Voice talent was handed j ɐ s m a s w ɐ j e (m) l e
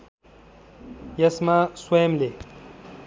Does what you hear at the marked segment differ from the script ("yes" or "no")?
no